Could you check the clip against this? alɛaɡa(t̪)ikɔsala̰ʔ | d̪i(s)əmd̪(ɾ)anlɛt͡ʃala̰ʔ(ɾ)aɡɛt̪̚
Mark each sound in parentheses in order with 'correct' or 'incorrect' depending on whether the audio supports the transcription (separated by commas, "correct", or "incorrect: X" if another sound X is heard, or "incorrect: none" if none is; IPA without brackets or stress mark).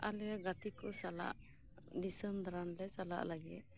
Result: correct, correct, correct, incorrect: l